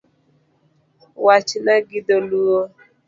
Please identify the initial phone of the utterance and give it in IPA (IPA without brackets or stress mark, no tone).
w